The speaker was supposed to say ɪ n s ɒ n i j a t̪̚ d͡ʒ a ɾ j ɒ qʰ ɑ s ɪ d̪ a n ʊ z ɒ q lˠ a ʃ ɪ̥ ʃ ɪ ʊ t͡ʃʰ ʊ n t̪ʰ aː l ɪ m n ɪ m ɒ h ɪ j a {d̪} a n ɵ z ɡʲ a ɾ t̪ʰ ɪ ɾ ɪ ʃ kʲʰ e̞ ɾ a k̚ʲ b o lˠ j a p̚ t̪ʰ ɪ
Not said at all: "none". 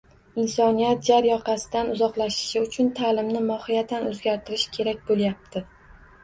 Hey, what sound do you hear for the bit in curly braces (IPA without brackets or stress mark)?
t̪